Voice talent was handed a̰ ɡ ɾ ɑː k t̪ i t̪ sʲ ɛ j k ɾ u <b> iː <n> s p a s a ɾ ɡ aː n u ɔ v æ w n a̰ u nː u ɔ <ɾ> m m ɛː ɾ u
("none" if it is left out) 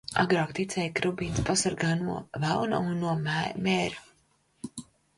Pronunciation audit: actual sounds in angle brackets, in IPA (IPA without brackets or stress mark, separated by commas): b, n, none